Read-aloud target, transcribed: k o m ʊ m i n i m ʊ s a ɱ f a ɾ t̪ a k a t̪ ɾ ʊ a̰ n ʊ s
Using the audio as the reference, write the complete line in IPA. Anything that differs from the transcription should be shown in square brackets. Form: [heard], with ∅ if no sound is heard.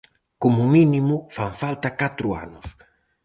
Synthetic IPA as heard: k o m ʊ m i n i m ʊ [f] a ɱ f a [l] t̪ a k a t̪ ɾ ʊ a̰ n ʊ s